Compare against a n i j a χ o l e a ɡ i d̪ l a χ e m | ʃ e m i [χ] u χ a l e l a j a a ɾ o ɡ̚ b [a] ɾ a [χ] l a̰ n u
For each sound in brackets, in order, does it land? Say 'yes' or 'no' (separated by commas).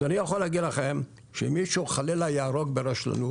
no, no, no